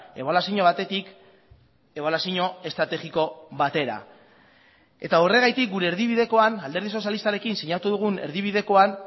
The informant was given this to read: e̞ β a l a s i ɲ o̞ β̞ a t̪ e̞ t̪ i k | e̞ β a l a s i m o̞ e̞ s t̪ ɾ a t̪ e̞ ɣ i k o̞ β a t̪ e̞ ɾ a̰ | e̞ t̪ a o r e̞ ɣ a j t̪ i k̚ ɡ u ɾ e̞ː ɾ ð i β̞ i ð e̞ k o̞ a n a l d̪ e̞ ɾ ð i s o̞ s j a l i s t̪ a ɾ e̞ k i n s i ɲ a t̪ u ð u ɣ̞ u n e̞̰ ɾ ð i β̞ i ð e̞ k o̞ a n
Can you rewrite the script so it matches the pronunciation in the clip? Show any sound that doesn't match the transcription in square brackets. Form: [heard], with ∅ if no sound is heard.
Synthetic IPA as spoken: e̞ β a l a s i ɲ o̞ β̞ a t̪ e̞ t̪ i k | e̞ β a l a s i [ɲ] o̞ e̞ s t̪ ɾ a t̪ e̞ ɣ i k o̞ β a t̪ e̞ ɾ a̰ | e̞ t̪ a o r e̞ ɣ a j t̪ i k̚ ɡ u ɾ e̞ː ɾ ð i β̞ i ð e̞ k o̞ a n a l d̪ e̞ ɾ ð i s o̞ s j a l i s t̪ a ɾ e̞ k i n s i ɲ a t̪ u ð u ɣ̞ u n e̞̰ ɾ ð i β̞ i ð e̞ k o̞ a n

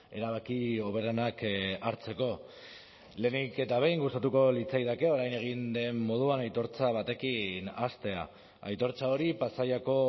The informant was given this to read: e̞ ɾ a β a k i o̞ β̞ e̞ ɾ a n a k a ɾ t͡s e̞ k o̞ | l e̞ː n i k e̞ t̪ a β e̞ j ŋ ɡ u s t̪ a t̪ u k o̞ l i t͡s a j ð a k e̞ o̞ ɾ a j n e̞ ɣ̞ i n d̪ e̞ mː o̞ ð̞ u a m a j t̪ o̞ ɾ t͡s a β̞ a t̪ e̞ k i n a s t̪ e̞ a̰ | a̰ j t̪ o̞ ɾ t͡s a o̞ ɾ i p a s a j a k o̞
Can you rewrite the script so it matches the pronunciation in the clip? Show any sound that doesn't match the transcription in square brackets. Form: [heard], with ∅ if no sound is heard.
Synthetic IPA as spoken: e̞ ɾ a β a k i o̞ β̞ e̞ ɾ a n a k a ɾ t͡s e̞ k o̞ | l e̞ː n i k e̞ t̪ a β e̞ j ŋ ɡ u s t̪ a t̪ u k o̞ l i t͡s a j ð a k e̞ o̞ ɾ a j n e̞ ɣ̞ i n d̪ e̞ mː o̞ ð̞ u a [n] a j t̪ o̞ ɾ t͡s a β̞ a t̪ e̞ k i n a s t̪ e̞ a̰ | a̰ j t̪ o̞ ɾ t͡s a o̞ ɾ i p a s a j a k o̞

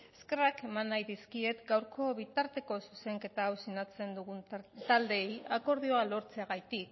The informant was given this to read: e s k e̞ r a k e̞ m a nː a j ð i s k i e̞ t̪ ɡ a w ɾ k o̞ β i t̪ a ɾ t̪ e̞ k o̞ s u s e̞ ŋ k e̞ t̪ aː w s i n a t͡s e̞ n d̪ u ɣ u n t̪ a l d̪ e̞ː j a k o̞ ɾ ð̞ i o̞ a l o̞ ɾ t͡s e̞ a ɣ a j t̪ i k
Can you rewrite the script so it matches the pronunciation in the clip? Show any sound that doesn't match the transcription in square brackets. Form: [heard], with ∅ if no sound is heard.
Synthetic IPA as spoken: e s k e̞ r a k e̞ m a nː a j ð i s k i e̞ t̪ ɡ a w ɾ k o̞ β i t̪ a ɾ t̪ e̞ k o̞ s u s e̞ ŋ k e̞ t̪ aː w s i n a t͡s e̞ n d̪ u ɣ u n t̪ a l d̪ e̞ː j a k o̞ ɾ ð̞ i o̞ a l o̞ ɾ t͡s e̞ a ɣ a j t̪ i k

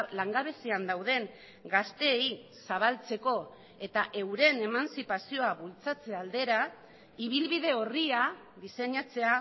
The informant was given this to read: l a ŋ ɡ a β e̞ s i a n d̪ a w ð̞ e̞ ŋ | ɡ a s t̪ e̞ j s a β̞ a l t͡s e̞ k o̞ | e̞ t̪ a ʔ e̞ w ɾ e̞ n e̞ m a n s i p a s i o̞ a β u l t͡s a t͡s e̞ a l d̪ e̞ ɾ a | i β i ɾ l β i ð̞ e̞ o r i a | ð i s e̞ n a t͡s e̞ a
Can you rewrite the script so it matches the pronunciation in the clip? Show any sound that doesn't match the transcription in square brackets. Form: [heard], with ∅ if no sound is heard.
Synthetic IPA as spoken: l a ŋ ɡ a β e̞ s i a n d̪ a w ð̞ e̞ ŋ | ɡ a s t̪ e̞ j s a β̞ a l t͡s e̞ k o̞ | e̞ t̪ a ʔ e̞ w ɾ e̞ n e̞ m a n s i p a s i o̞ a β u l t͡s a t͡s e̞ a l d̪ e̞ ɾ a | i β i [∅] l β i ð̞ e̞ o r i a | ð i s e̞ [ɲ] a t͡s e̞ a

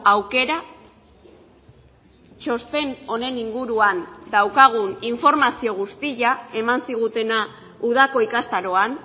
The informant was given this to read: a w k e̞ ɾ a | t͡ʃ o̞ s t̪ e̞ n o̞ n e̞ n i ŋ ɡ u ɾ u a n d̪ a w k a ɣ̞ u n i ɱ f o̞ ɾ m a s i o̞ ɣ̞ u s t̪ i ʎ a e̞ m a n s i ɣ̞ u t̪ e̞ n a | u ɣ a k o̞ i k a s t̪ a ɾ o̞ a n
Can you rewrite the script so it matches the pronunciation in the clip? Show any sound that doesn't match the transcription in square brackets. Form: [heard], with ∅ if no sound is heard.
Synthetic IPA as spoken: a w k e̞ ɾ a | t͡ʃ o̞ s t̪ e̞ n o̞ n e̞ n i ŋ ɡ u ɾ u a n d̪ a w k a ɣ̞ u n i ɱ f o̞ ɾ m a s i o̞ ɣ̞ u s t̪ i ʎ a e̞ m a n s i ɣ̞ u t̪ e̞ n a | u [ð] a k o̞ i k a s t̪ a ɾ o̞ a n

